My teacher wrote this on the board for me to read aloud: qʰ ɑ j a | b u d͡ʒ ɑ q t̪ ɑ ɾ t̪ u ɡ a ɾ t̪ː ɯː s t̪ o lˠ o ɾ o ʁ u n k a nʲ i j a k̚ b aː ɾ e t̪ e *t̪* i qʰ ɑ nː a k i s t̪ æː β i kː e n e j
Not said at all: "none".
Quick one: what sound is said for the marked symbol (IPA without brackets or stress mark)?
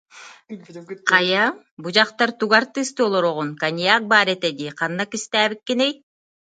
d̪